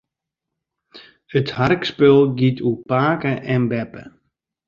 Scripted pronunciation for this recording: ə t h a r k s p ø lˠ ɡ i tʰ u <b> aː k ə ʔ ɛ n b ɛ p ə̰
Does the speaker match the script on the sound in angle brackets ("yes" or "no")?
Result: no